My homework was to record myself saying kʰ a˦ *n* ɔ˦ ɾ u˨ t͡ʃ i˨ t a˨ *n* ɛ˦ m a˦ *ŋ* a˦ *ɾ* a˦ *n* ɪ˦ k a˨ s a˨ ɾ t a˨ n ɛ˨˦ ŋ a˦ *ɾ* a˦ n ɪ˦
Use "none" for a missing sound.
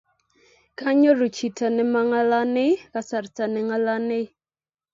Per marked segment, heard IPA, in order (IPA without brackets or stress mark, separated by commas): ɲ, n, ŋ, l, n, l